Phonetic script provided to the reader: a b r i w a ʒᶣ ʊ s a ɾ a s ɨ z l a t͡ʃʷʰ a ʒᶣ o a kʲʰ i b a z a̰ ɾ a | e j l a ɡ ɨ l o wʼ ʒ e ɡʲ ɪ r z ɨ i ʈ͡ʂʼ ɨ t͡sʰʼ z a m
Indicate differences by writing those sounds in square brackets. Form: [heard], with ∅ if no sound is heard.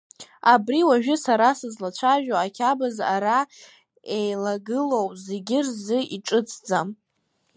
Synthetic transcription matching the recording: a b r i w a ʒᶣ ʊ s a ɾ a s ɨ z l a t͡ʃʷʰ a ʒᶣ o a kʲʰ [a] b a z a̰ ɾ a | e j l a ɡ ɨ l o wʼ [z] e ɡʲ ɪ r z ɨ i ʈ͡ʂʼ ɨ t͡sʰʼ [d͡z] a m